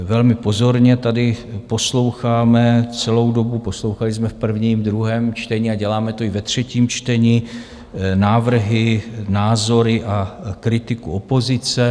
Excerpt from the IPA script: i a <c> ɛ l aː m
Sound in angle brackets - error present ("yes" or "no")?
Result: yes